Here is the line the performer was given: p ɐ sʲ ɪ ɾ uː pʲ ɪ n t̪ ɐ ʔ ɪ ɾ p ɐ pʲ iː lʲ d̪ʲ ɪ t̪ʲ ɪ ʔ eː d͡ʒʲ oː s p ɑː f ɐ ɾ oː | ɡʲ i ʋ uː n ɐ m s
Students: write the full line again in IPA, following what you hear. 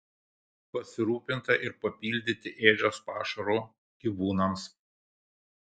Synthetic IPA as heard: p ɐ sʲ ɪ ɾ uː pʲ ɪ n t̪ ɐ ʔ ɪ ɾ p ɐ pʲ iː lʲ d̪ʲ ɪ t̪ʲ ɪ ʔ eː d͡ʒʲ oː s p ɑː ʃ ɐ ɾ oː | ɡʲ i ʋ uː n ɐ m s

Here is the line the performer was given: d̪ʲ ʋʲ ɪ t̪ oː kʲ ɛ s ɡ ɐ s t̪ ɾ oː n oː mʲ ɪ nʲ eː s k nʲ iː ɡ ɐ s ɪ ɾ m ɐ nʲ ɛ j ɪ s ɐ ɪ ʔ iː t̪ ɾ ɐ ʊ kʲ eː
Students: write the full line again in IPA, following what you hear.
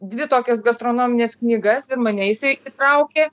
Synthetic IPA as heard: d̪ʲ ʋʲ ɪ t̪ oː kʲ ɛ s ɡ ɐ s t̪ ɾ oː n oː mʲ ɪ nʲ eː s k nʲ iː ɡ ɐ s ɪ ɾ m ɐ nʲ ɛ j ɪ s ɐ ɪ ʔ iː t̪ ɾ ɐ ʊ kʲ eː

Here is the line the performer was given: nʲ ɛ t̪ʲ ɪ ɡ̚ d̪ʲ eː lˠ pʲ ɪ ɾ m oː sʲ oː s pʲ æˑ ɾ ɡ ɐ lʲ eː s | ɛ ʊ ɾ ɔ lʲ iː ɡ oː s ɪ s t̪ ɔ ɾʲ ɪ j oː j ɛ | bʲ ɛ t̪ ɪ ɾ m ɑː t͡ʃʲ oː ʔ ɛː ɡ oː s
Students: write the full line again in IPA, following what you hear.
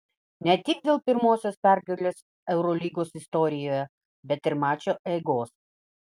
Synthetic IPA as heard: nʲ ɛ t̪ʲ ɪ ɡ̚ d̪ʲ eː lˠ pʲ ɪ ɾ m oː sʲ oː s pʲ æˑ ɾ ɡ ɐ lʲ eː s | ɛ ʊ ɾ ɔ lʲ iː ɡ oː s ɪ s t̪ ɔ ɾʲ ɪ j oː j ɛ | bʲ ɛ t̪ ɪ ɾ m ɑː t͡ʃʲ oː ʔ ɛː ɡ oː s

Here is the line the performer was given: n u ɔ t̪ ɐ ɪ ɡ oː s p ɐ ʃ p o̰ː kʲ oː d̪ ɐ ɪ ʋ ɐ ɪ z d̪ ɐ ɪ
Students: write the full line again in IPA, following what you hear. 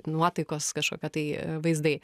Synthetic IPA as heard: n u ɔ t̪ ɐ ɪ k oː s k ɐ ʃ k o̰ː kʲ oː t̪ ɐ ɪ ʋ ɐ ɪ z d̪ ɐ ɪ

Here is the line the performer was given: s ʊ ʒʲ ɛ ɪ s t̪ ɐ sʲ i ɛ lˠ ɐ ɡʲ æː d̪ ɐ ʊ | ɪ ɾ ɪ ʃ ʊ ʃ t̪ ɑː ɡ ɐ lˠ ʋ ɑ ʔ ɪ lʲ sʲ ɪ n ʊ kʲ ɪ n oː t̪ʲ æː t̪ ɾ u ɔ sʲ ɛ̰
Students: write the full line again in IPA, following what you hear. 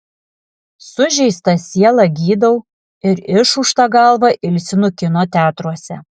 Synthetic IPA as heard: s ʊ ʒʲ ɛ ɪ s t̪ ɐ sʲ i ɛ lˠ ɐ ɡʲ iː d̪ ɐ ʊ | ɪ ɾ ɪ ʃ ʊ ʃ t̪ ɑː ɡ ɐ lˠ ʋ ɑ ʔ ɪ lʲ sʲ ɪ n ʊ kʲ ɪ n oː t̪ʲ æː t̪ ɾ u ɔ sʲ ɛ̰

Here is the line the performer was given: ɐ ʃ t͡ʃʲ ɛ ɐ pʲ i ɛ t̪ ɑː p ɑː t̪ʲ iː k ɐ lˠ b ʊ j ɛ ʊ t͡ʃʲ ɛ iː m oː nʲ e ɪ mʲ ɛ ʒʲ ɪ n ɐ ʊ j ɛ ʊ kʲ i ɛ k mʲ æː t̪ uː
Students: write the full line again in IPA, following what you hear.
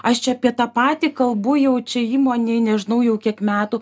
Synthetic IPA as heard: ɐ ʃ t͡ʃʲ ɛ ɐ pʲ i ɛ t̪ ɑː p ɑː t̪ʲ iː k ɐ lˠ b ʊ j ɛ ʊ t͡ʃʲ ɛ iː m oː nʲ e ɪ nʲ ɛ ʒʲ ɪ n ɐ ʊ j ɛ ʊ kʲ i ɛ k mʲ æː t̪ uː

